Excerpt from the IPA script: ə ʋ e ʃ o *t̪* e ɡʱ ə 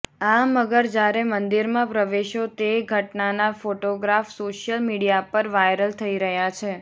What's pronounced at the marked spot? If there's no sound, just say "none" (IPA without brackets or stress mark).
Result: t̪